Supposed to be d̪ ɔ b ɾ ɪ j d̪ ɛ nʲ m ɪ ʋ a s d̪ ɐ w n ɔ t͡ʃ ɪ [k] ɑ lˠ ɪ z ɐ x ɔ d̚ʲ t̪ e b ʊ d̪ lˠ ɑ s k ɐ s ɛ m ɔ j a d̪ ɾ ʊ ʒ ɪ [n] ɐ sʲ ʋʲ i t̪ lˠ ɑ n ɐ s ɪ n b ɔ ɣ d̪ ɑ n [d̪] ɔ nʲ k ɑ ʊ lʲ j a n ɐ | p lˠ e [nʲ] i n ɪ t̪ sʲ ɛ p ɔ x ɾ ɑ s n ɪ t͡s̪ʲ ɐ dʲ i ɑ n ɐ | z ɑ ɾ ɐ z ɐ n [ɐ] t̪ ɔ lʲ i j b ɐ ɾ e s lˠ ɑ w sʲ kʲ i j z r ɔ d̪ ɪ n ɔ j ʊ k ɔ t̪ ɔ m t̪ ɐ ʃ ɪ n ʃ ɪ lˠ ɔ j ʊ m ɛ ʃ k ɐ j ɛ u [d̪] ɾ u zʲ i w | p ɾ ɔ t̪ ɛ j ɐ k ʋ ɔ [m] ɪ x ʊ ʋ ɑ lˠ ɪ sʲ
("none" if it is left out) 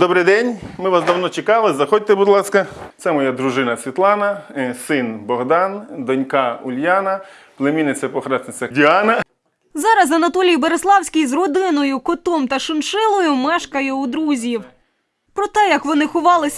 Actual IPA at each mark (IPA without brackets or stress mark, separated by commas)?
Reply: k, n, d̪, mʲ, ɐ, d̪, n